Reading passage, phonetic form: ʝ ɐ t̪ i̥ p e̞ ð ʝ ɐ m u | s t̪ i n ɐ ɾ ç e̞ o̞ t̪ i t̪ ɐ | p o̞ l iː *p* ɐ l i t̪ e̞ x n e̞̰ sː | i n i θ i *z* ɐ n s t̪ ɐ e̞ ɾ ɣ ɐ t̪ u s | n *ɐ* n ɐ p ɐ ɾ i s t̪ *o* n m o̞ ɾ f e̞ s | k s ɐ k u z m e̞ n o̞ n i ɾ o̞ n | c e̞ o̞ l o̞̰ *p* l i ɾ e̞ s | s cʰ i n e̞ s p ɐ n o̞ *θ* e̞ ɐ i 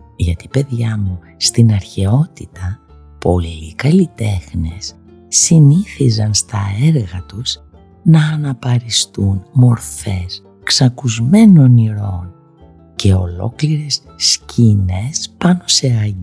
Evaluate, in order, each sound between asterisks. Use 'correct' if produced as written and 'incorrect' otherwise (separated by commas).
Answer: incorrect, correct, incorrect, incorrect, incorrect, incorrect